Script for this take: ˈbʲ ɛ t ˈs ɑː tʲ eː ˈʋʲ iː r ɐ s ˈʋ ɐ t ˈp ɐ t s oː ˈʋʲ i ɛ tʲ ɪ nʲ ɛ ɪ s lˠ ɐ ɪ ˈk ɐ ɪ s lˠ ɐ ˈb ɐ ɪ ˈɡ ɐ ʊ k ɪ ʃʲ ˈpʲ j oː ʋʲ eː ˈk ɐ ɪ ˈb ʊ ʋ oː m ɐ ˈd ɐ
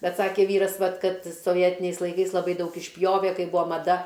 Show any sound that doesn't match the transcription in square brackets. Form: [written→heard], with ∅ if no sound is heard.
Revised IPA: ˈbʲ ɛ t ˈs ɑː [tʲ→kʲ] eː ˈʋʲ iː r ɐ s ˈʋ ɐ t [ˈp→ˈk] ɐ t s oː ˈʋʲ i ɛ tʲ ɪ nʲ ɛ ɪ s lˠ ɐ ɪ ˈk ɐ ɪ s lˠ ɐ ˈb ɐ ɪ [ˈɡ→ˈd] ɐ ʊ k ɪ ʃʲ ˈpʲ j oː ʋʲ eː ˈk ɐ ɪ ˈb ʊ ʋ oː m ɐ ˈd ɐ